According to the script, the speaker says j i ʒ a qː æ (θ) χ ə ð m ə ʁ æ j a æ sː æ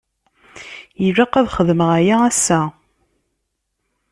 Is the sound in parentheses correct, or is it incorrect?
incorrect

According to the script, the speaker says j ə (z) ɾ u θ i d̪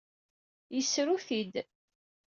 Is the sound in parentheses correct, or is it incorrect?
incorrect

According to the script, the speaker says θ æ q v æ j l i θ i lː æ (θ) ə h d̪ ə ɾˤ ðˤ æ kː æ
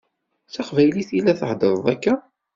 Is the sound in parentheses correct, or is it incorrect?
correct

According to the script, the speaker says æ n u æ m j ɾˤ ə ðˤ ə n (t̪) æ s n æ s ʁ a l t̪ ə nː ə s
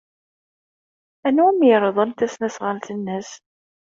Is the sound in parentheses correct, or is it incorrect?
correct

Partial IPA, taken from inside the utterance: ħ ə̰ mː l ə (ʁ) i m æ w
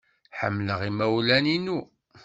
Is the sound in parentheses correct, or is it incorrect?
correct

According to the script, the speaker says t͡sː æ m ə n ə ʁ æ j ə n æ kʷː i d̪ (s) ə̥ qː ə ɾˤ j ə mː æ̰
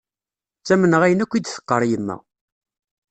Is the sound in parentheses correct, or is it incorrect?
incorrect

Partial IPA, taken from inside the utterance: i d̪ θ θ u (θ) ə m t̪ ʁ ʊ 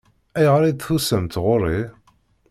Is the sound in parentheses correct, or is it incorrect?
incorrect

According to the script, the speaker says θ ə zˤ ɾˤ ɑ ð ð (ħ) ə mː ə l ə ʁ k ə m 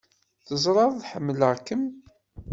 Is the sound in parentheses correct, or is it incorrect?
correct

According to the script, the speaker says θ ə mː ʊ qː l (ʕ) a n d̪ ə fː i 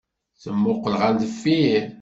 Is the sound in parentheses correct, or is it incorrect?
incorrect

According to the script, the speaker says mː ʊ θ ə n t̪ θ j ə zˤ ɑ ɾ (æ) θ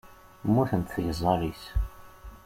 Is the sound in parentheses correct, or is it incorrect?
incorrect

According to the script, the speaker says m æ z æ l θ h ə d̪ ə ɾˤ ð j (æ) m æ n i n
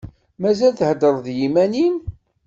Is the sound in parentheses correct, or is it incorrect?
incorrect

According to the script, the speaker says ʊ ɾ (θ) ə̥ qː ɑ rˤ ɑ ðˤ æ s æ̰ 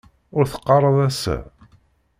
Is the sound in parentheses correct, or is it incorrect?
correct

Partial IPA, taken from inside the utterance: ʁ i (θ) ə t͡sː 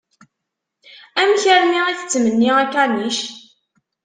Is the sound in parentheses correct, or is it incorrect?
correct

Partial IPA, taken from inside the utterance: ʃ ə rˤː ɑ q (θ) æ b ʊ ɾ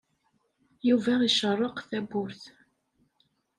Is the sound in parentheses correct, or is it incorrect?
correct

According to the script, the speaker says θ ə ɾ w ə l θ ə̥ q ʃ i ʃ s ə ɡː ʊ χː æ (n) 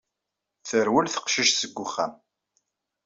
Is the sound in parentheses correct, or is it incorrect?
incorrect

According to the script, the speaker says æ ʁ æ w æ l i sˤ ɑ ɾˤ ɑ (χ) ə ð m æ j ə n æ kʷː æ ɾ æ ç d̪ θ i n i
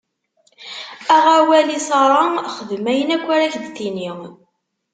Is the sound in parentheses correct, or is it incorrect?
correct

